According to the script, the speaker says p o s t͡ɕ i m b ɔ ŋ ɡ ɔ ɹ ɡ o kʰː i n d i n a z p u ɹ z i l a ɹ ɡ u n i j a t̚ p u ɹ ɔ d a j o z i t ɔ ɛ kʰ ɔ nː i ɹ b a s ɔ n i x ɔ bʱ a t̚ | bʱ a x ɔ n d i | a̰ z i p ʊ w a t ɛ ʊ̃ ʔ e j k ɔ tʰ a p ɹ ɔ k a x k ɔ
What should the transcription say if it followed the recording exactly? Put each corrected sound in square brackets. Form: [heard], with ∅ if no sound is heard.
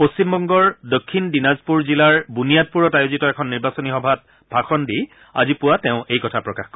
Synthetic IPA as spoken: p o s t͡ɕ i m b ɔ ŋ ɡ ɔ ɹ [d] o kʰː i n d i n a z p u ɹ z i l a ɹ [b] u n i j a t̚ p u ɹ ɔ [t] a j o z i t ɔ ɛ kʰ ɔ nː i ɹ b a s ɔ n i x ɔ bʱ a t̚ | bʱ a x ɔ n d i | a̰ z i p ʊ w a t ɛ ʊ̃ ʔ e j k ɔ tʰ a p ɹ ɔ k a x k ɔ